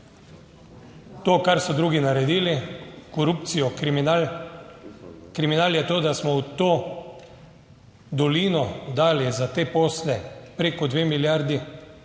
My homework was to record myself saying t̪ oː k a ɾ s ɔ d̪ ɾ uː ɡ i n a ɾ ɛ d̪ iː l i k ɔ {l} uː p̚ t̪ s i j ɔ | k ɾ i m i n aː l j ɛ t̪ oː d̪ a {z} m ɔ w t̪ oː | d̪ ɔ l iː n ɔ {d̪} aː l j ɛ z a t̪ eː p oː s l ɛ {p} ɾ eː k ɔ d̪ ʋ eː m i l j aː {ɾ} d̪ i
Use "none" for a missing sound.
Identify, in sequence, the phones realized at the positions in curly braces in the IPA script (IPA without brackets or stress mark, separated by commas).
ɾ, s, d̪, p, ɾ